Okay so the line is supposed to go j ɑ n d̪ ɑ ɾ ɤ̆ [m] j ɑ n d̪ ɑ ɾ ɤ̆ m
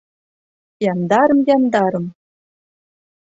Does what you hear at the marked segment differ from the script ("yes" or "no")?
no